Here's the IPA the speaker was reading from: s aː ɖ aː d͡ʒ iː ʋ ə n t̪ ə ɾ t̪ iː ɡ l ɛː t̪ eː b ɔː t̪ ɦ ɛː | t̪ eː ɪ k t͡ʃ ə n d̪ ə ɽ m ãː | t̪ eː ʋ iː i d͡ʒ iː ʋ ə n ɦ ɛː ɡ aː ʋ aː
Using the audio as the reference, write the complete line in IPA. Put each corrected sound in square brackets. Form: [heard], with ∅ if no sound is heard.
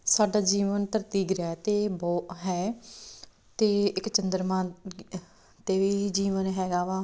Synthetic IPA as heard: s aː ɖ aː d͡ʒ iː ʋ ə n t̪ ə ɾ t̪ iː ɡ [ɾ] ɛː t̪ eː b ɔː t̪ ɦ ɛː | t̪ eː ɪ k t͡ʃ ə n d̪ ə [ɾ] m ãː | t̪ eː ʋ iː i d͡ʒ iː ʋ ə n ɦ ɛː ɡ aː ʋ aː